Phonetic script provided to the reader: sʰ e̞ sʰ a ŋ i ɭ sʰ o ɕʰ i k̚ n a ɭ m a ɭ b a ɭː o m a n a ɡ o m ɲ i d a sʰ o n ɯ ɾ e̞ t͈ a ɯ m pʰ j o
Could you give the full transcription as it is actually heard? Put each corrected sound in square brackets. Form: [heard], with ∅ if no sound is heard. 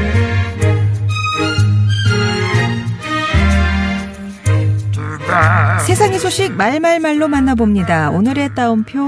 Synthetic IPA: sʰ e̞ sʰ a ŋ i [∅] sʰ o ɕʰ i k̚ [m] a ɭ m a ɭ [m] a ɭː o m a [nː] a [b] o m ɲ i d a [∅] o n ɯ ɾ e̞ t͈ a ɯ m pʰ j o